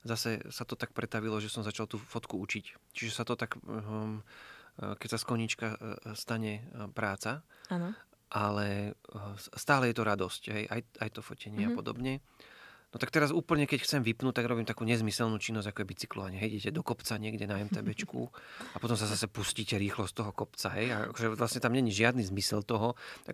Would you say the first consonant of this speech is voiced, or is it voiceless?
voiced